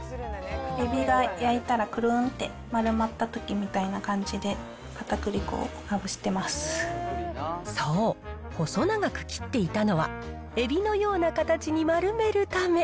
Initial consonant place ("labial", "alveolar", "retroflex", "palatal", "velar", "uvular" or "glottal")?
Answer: labial